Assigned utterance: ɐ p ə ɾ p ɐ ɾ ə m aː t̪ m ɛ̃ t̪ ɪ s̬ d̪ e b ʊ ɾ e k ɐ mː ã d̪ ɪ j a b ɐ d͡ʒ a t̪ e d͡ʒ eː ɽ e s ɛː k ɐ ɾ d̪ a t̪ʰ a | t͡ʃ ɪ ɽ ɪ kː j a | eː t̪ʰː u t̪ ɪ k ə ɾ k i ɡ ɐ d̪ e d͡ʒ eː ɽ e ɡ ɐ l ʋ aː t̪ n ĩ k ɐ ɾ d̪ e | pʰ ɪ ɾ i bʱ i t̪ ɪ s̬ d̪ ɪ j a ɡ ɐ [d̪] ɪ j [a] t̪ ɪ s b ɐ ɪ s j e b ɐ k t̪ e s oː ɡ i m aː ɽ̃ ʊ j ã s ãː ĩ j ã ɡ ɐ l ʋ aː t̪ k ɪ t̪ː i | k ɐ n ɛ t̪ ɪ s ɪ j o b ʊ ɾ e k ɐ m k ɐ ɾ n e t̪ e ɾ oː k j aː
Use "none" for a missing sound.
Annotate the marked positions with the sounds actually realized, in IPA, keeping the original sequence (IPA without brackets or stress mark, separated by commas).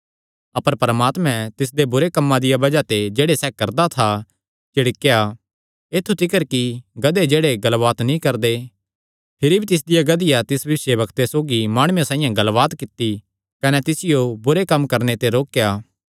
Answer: d̪, a